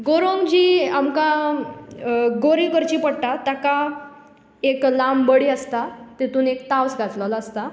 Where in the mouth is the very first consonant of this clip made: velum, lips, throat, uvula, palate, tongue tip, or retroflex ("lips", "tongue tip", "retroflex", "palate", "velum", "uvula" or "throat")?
velum